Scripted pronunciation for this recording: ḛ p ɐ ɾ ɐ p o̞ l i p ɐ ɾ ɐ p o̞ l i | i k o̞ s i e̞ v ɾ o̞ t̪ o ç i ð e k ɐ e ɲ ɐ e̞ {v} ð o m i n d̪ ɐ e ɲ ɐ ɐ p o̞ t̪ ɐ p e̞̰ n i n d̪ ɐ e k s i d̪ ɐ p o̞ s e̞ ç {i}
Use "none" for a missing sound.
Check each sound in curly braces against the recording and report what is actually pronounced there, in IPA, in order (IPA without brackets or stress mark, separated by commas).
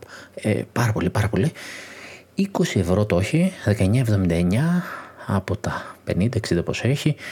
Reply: v, i